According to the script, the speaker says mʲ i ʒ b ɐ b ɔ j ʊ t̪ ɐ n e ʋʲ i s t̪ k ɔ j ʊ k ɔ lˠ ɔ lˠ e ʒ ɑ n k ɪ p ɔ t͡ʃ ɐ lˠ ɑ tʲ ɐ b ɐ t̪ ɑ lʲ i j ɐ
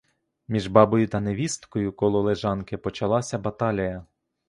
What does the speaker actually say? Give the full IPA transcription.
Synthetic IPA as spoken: mʲ i ʒ b ɑ b ɔ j ʊ t̪ ɐ n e ʋʲ i s t̪ k ɔ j ʊ k ɔ lˠ ɔ lˠ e ʒ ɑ n k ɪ p ɔ t͡ʃ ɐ lˠ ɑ sʲ ɐ b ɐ t̪ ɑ lʲ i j ɐ